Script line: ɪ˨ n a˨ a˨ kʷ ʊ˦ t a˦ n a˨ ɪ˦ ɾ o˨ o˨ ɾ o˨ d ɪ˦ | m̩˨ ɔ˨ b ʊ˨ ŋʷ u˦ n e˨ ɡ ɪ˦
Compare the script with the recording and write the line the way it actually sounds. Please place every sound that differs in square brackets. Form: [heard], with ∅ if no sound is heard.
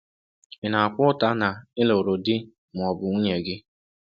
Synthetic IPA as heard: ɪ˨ n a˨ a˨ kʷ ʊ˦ t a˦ n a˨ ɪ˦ [l] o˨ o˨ ɾ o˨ d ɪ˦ | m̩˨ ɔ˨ b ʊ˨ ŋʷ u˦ [ɲ] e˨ ɡ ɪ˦